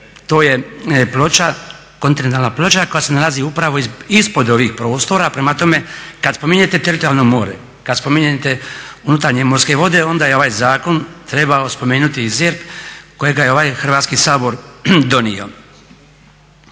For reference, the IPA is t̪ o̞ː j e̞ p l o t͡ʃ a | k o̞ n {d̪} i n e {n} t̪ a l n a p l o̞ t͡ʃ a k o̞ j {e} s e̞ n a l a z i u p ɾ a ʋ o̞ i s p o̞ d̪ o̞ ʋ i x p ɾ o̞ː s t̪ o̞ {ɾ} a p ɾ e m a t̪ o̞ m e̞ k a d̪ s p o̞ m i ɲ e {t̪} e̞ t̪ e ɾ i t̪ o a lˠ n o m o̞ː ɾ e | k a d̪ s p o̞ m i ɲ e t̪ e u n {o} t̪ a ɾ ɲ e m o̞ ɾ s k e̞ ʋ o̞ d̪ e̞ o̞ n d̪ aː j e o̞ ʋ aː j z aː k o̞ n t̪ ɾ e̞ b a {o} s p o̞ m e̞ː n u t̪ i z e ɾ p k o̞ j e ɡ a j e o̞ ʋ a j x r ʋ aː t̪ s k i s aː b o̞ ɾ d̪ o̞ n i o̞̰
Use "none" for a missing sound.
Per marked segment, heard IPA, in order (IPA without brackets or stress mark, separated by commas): t̪, n, a, ɾ, t̪, u, o